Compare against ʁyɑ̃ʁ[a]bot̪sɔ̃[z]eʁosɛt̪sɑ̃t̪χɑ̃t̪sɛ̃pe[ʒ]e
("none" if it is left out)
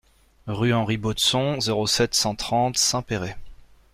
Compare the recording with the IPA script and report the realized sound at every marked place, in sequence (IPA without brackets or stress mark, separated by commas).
i, z, ʁ